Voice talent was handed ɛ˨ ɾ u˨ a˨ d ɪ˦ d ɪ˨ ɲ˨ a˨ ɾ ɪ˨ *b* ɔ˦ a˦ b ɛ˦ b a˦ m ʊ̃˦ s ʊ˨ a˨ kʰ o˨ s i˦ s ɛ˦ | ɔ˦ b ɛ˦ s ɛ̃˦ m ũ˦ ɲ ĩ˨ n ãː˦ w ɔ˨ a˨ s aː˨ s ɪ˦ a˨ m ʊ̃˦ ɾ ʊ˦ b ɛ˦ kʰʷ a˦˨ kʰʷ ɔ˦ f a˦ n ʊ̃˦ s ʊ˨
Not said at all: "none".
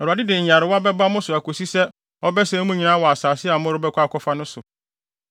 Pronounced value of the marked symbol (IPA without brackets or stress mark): w